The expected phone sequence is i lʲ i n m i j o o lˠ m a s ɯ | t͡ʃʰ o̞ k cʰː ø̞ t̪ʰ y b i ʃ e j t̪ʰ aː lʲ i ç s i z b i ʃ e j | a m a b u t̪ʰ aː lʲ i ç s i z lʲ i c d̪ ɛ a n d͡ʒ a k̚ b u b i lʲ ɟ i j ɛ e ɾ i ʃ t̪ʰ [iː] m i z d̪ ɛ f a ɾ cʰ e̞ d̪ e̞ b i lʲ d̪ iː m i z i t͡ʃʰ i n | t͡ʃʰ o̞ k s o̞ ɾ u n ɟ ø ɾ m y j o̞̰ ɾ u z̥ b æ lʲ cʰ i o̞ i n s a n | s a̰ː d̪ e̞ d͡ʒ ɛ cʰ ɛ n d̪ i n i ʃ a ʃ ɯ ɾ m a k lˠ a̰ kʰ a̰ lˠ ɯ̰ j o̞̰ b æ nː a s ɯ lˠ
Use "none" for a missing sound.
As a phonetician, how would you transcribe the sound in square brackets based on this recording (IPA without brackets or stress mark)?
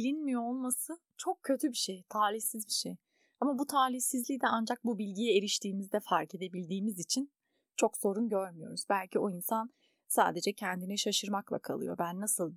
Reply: iː